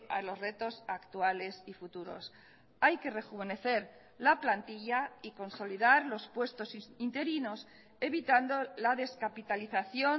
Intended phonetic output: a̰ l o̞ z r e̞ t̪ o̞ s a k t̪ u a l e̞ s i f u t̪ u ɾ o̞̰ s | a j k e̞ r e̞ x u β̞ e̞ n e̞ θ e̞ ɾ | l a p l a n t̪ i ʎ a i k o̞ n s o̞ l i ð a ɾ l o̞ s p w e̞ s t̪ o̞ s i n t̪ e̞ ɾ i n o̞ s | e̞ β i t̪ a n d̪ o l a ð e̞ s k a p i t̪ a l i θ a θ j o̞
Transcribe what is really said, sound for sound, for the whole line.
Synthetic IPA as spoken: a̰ l o̞ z r e̞ t̪ o̞ s a k t̪ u a l e̞ s i f u t̪ u ɾ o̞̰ s | a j k e̞ r e̞ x u β̞ e̞ n e̞ θ e̞ ɾ | l a p l a n t̪ i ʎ a i k o̞ n s o̞ l i ð a ɾ l o̞ s p w e̞ s t̪ o̞ s i n t̪ e̞ ɾ i n o̞ s | e̞ β i t̪ a n d̪ o l a ð e̞ s k a p i t̪ a l i θ a θ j o̞